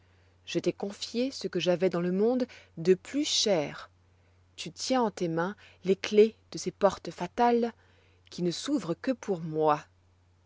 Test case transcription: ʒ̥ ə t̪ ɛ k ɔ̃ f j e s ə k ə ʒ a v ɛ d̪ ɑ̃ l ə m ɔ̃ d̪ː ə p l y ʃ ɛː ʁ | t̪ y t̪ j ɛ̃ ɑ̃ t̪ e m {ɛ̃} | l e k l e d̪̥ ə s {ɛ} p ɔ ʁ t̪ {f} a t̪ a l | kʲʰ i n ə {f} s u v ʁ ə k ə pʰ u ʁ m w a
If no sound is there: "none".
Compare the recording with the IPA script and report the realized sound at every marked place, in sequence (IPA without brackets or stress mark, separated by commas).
ɛ̃, e, f, none